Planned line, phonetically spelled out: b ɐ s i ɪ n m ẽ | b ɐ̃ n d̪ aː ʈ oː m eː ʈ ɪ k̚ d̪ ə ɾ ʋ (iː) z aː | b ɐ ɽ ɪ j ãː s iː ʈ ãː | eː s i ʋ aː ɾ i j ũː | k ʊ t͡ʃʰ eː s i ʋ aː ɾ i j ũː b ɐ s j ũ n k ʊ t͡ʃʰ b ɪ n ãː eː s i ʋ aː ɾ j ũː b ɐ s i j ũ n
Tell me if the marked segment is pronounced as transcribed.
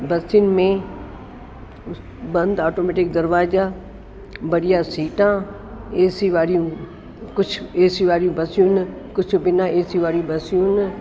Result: no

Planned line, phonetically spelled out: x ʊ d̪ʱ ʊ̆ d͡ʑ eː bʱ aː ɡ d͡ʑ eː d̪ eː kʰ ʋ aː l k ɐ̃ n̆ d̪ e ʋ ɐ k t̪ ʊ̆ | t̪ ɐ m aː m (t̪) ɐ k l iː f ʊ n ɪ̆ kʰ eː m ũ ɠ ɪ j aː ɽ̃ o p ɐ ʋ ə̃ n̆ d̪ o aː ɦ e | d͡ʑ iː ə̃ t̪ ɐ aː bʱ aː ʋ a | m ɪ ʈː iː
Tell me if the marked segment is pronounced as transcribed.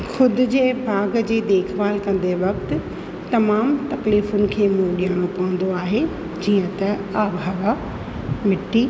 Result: yes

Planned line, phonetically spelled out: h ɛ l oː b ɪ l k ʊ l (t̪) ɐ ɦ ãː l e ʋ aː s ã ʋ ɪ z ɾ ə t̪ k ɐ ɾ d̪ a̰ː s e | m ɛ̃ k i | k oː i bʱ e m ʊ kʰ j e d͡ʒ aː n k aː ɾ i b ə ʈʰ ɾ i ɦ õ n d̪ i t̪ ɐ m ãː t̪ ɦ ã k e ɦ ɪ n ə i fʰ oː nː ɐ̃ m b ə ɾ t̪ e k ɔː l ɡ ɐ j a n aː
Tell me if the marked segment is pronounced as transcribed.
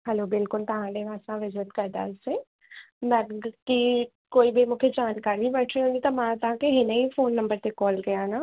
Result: yes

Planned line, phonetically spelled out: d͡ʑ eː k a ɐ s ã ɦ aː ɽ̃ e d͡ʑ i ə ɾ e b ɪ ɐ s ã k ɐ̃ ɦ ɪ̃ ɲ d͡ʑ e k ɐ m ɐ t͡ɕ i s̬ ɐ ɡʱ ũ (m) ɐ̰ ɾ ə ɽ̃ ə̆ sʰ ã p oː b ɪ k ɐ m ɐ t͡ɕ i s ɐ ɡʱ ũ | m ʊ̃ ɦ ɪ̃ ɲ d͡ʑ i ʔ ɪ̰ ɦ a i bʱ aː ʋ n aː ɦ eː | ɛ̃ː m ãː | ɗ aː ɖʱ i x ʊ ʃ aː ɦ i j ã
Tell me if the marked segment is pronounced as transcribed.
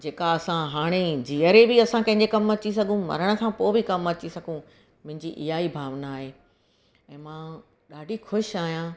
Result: yes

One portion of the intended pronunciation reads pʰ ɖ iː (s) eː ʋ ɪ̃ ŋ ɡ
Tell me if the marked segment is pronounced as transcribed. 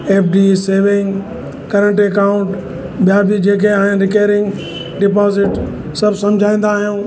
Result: yes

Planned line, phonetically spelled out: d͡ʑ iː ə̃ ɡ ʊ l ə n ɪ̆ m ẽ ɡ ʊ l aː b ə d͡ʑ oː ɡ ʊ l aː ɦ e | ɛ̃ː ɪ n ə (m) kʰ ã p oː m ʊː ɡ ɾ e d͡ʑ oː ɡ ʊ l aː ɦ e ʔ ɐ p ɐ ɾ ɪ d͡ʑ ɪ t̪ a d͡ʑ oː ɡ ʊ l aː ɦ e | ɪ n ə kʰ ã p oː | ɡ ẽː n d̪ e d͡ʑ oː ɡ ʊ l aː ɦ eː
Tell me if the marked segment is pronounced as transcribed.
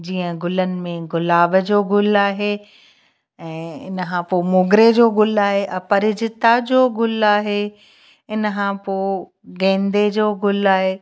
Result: no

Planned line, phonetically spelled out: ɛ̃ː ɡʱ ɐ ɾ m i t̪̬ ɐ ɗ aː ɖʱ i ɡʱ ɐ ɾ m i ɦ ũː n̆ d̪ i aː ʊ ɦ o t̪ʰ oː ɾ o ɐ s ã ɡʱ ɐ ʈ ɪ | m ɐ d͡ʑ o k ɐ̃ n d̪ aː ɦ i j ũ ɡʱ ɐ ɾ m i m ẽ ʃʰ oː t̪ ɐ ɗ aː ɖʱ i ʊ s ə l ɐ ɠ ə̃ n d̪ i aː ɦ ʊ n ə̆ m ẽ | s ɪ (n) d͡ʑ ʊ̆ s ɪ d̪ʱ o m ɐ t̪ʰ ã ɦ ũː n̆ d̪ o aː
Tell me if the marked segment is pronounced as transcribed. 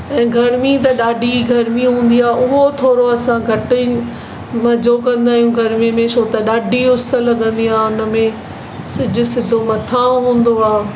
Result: no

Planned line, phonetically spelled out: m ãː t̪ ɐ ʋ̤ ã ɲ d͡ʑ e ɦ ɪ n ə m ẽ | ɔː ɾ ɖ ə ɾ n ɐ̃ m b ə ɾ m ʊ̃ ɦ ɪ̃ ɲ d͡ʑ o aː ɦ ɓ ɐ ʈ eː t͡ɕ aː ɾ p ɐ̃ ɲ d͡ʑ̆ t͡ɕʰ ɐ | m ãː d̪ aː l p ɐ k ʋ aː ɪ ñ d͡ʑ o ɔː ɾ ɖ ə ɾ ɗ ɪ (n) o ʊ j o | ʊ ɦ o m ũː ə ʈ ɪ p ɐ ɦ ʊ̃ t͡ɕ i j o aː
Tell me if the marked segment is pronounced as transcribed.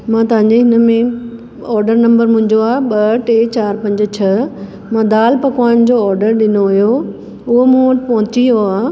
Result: yes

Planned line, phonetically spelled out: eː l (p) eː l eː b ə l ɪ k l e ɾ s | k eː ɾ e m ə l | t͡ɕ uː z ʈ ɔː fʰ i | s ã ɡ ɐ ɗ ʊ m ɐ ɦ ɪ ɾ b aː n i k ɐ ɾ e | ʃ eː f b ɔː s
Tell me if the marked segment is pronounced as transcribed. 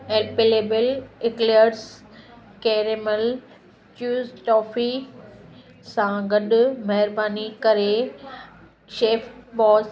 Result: yes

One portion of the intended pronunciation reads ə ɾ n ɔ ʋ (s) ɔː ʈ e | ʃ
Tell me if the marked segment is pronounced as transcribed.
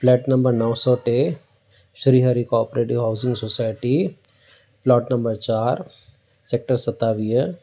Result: yes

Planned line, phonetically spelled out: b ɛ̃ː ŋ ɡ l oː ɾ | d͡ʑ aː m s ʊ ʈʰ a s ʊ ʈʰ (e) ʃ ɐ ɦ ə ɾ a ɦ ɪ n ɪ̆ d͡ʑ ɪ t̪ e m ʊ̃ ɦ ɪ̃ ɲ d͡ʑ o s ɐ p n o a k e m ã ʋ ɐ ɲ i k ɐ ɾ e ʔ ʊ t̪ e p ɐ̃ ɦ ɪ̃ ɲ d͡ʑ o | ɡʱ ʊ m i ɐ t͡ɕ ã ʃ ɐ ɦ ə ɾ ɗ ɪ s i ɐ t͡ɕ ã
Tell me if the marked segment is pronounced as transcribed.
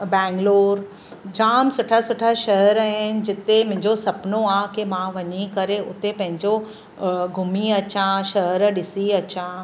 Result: no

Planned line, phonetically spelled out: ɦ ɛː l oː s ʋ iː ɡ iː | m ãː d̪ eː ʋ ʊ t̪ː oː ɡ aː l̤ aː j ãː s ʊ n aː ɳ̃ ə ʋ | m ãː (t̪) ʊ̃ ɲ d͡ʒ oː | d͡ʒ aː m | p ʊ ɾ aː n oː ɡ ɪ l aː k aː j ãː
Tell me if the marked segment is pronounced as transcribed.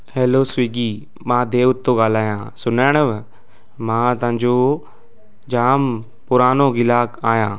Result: yes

